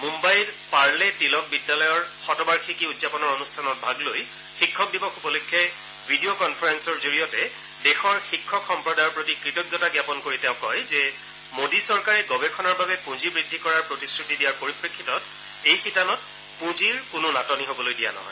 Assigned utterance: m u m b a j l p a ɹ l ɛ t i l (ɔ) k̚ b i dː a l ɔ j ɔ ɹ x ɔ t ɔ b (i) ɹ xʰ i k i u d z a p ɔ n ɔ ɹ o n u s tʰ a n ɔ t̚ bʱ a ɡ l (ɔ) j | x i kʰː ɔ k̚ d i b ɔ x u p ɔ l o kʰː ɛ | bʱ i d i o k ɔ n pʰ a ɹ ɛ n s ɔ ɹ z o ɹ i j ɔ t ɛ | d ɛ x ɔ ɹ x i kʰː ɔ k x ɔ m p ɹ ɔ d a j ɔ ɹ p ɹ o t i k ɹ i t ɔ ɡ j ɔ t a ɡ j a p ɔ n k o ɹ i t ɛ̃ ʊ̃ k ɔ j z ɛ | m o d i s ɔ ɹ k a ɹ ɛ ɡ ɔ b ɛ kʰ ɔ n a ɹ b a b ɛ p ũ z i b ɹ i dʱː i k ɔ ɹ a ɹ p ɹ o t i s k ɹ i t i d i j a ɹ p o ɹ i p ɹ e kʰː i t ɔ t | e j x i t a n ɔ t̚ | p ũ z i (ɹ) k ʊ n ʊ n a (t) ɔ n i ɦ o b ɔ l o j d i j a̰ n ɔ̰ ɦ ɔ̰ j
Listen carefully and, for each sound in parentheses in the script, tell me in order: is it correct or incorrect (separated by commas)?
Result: correct, incorrect, incorrect, correct, correct